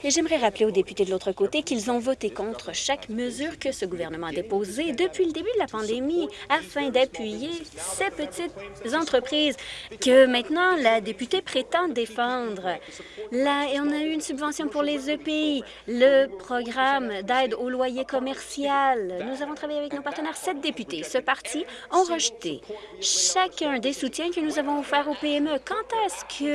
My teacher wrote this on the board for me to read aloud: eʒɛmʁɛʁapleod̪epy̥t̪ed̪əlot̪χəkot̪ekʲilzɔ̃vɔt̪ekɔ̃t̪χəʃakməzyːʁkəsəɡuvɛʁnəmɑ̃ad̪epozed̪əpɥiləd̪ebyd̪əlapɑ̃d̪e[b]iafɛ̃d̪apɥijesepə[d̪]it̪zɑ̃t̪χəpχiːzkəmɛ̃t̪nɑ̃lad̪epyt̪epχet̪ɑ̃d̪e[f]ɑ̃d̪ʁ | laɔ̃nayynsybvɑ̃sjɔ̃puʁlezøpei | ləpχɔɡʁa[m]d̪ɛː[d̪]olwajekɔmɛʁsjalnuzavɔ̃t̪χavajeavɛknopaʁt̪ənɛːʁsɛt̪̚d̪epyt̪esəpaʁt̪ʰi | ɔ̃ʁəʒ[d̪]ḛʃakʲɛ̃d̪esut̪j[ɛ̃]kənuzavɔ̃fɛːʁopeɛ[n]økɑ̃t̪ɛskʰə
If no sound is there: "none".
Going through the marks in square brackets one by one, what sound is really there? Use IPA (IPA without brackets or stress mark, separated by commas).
m, t̪, f, m, d̪, t̪, ɛ̃, m